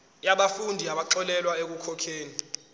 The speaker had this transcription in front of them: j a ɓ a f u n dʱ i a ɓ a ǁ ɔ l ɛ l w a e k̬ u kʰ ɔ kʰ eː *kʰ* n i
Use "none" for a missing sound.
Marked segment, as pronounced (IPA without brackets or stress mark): none